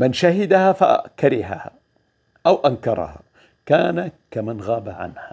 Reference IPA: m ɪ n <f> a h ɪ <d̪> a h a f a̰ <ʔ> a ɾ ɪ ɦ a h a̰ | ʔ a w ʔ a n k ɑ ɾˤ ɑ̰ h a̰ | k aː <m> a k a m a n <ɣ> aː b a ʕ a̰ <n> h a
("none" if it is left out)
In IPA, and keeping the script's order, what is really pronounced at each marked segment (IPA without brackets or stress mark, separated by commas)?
ʃ, d̪, k, n, ɣ, n